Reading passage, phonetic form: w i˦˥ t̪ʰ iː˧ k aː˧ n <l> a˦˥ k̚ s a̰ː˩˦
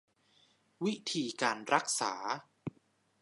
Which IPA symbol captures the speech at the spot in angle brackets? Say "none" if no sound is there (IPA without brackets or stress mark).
ɾ